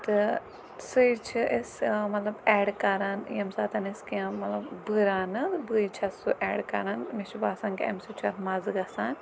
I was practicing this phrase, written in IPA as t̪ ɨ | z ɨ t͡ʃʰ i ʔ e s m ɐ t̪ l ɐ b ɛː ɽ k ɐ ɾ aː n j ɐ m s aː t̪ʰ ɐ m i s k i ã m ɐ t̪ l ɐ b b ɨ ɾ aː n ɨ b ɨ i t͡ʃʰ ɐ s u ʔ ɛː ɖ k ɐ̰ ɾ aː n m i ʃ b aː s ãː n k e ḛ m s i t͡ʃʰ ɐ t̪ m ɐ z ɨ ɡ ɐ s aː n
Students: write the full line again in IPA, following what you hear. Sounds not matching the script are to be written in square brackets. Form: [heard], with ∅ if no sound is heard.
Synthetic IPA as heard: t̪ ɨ | [s] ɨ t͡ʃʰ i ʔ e s m ɐ t̪ l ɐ b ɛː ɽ k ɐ ɾ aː n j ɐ m s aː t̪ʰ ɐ [n] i s k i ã m ɐ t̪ l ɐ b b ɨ ɾ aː n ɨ b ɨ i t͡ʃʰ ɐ s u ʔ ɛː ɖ k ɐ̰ ɾ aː n m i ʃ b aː s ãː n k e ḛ m s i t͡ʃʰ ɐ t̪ m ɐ z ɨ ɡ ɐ s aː n